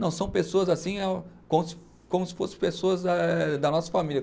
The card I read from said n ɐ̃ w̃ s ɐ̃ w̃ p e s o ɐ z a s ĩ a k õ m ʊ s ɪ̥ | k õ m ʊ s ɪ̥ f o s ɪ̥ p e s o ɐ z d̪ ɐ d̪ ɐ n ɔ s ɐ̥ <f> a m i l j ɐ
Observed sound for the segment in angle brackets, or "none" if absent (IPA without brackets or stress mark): f